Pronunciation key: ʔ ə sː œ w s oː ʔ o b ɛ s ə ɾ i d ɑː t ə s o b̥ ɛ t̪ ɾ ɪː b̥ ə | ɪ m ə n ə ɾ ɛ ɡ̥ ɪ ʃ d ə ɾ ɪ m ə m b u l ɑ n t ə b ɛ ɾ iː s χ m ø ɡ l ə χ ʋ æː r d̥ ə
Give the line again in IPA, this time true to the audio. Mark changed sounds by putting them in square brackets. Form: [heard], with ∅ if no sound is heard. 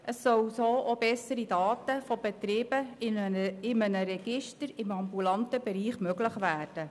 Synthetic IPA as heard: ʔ ə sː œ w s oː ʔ o b ɛ s ə ɾ i d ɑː t ə [f] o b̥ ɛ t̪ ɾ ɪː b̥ ə | ɪ m ə n ə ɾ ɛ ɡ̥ ɪ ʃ [t] ə ɾ ɪ m [ɑ] m b u l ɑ n t ə b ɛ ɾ iː [∅] χ m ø ɡ l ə χ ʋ æː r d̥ ə